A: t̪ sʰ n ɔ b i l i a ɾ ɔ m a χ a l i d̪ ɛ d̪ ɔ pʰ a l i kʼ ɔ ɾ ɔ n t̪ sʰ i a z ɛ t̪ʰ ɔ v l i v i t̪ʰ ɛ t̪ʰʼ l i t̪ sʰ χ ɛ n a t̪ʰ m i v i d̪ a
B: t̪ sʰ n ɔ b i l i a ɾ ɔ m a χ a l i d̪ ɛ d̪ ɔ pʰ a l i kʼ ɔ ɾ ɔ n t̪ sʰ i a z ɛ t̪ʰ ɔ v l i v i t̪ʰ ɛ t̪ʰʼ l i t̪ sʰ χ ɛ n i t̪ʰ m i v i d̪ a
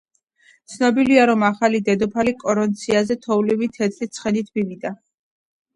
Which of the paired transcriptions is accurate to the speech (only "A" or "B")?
B